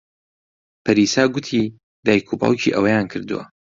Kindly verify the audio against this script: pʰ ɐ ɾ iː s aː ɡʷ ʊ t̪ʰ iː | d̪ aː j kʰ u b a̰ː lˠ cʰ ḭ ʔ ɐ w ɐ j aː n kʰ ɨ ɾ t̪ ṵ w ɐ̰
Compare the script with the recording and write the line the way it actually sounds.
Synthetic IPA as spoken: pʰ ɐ ɾ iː s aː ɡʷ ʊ t̪ʰ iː | d̪ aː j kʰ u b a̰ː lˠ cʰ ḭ ʔ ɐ w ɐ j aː n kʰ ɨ ɾ d̪ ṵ w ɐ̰